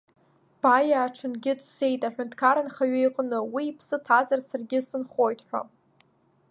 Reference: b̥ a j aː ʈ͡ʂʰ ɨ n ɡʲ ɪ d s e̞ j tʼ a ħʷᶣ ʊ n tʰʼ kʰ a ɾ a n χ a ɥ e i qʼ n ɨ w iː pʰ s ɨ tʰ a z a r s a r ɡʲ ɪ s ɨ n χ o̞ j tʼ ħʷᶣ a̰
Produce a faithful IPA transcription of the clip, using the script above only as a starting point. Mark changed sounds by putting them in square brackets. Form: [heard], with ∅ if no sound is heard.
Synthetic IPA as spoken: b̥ a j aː ʈ͡ʂʰ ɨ n ɡʲ ɪ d s e̞ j tʼ a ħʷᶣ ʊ n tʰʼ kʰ a ɾ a n χ a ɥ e [j] qʼ n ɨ w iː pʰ s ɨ tʰ a z a r s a r ɡʲ ɪ s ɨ n χ o̞ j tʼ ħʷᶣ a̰